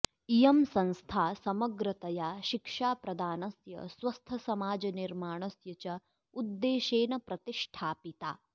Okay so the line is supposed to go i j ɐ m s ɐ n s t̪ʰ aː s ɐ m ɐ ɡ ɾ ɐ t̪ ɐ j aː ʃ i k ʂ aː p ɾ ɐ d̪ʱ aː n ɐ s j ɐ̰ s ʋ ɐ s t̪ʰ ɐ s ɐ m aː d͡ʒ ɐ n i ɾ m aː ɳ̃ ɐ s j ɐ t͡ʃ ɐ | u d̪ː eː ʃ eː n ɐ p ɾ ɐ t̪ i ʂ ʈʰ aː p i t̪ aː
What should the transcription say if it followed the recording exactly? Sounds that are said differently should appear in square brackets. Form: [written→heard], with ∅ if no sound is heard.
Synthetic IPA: i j ɐ m s ɐ n s t̪ʰ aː s ɐ m ɐ ɡ ɾ ɐ t̪ ɐ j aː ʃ i k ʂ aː p ɾ ɐ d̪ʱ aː n ɐ s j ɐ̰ s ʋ ɐ s t̪ʰ ɐ s ɐ m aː d͡ʒ ɐ n i ɾ m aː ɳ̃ ɐ s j ɐ t͡ʃ ɐ | u d̪ː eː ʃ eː n ɐ p ɾ ɐ t̪ i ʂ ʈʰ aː p i t̪ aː